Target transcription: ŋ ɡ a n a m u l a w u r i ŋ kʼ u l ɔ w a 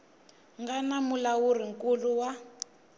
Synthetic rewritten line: ŋ ɡ a n a m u l a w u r i ŋ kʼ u l u w a